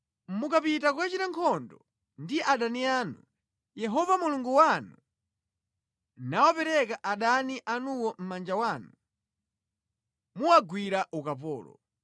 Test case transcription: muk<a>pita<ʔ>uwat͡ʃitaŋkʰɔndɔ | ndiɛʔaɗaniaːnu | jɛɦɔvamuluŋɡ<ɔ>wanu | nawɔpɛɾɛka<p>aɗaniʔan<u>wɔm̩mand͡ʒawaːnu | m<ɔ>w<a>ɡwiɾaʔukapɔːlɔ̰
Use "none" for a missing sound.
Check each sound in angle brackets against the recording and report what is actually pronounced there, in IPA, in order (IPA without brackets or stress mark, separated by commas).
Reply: a, k, u, ʔ, u, u, a